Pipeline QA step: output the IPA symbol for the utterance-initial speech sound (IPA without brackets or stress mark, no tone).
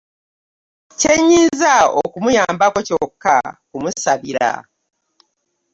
c